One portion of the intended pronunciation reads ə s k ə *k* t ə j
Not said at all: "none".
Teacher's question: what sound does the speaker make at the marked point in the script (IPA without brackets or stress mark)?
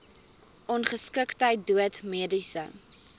k